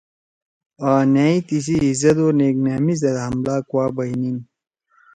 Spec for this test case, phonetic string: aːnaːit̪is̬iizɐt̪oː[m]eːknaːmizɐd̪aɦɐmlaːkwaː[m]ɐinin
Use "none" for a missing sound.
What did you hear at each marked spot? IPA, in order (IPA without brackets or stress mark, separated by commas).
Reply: n, b